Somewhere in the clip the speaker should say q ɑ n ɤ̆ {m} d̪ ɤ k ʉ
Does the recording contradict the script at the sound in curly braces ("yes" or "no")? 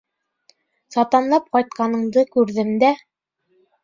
yes